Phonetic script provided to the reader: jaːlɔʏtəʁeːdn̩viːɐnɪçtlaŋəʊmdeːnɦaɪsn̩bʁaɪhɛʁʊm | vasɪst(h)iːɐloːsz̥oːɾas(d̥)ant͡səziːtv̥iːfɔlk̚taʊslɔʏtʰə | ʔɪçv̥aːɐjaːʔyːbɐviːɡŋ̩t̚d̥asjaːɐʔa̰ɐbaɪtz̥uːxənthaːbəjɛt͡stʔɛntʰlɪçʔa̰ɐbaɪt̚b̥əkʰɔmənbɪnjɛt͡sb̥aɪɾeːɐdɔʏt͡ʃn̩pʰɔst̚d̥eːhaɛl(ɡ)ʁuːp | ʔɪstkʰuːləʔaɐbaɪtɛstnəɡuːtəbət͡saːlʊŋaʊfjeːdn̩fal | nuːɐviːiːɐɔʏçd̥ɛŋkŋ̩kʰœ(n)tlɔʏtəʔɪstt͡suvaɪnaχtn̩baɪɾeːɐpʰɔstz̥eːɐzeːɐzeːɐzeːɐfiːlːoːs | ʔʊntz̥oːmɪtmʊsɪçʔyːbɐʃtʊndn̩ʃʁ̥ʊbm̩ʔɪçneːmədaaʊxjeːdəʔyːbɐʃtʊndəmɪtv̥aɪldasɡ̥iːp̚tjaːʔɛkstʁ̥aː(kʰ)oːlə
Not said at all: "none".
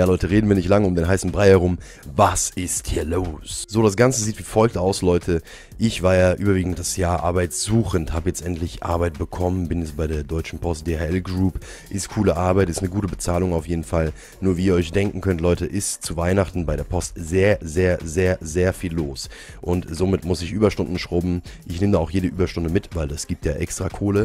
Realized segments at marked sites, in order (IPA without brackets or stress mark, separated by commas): h, ɡ̥, ɡ, n, kʰ